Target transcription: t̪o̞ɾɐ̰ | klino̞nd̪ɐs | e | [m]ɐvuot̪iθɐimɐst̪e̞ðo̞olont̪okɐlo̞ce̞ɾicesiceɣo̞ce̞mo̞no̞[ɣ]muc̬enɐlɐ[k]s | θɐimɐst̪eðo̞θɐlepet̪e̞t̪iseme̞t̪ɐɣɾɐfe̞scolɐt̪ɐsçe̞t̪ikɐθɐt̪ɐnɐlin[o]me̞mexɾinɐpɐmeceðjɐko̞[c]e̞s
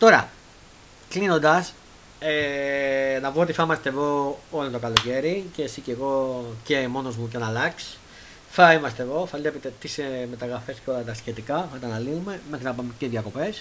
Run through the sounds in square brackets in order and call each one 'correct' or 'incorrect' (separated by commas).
incorrect, incorrect, correct, incorrect, incorrect